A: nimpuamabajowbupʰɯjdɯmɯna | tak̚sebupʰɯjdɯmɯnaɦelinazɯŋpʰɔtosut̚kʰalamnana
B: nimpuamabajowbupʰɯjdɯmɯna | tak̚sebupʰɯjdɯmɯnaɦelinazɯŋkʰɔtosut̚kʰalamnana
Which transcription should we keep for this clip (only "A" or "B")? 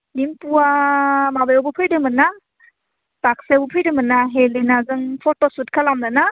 A